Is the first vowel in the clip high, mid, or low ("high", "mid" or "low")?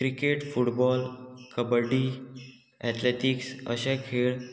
high